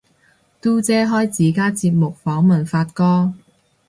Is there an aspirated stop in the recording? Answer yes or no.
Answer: no